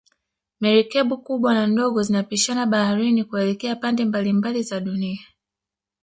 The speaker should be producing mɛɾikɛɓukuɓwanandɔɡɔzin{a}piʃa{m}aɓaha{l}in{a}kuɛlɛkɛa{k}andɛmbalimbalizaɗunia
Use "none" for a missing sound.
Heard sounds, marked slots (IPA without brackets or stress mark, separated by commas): a, n, ɾ, i, p